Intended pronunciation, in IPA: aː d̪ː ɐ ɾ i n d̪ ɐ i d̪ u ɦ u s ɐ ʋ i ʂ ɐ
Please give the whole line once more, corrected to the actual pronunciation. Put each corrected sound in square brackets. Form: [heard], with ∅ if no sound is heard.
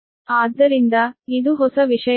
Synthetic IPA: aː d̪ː ɐ ɾ i n d̪ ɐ i d̪ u ɦ [ɔ] s ɐ ʋ i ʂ ɐ

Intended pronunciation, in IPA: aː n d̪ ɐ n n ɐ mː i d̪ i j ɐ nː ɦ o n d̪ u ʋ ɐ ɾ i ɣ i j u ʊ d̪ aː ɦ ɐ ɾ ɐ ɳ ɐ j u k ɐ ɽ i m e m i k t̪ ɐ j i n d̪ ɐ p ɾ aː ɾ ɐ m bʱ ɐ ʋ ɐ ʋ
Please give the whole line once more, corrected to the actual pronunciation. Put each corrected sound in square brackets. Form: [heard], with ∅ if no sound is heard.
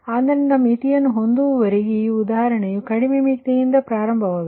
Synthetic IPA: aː n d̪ ɐ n n ɐ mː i [t̪] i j ɐ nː ɦ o n d̪ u ʋ ɐ ɾ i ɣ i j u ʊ d̪ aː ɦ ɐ ɾ ɐ ɳ ɐ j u k ɐ ɽ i m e m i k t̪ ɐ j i n d̪ ɐ p ɾ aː ɾ ɐ m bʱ ɐ ʋ ɐ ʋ

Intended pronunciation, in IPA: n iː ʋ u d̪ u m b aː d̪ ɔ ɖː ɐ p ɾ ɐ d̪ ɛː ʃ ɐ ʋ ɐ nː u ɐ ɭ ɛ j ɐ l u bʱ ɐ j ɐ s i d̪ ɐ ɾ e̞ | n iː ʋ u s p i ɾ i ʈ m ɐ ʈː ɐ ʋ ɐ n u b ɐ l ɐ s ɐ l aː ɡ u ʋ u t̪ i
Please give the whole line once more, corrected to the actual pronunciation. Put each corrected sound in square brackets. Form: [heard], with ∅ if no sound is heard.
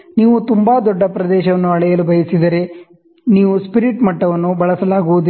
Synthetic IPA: n iː ʋ u [t̪] u m b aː d̪ ɔ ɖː ɐ p ɾ ɐ d̪ ɛː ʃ ɐ ʋ ɐ nː u ɐ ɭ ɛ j ɐ l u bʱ ɐ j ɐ s i d̪ ɐ ɾ e̞ | n iː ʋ u s p i ɾ i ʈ m ɐ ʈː ɐ ʋ ɐ [nː] u b ɐ [ɭ] ɐ s ɐ l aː ɡ u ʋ u [d̪] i

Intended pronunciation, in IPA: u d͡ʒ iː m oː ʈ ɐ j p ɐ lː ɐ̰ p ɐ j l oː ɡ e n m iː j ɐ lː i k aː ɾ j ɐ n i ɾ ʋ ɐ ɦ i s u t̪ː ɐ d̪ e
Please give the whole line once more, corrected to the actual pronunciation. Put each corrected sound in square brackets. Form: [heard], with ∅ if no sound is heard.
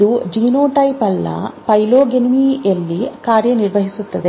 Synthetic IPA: u d͡ʒ iː [n] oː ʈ ɐ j p ɐ lː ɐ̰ p ɐ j l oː ɡ e n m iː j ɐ lː i k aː ɾ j ɐ n i ɾ ʋ ɐ ɦ i s u t̪ː ɐ d̪ e

